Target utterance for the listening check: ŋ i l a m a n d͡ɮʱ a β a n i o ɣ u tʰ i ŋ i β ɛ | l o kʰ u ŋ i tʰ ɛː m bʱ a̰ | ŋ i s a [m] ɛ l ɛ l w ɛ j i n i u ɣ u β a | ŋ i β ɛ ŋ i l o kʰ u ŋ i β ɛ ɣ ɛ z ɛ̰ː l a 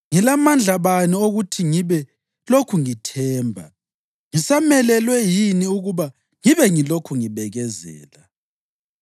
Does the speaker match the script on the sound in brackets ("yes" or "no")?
yes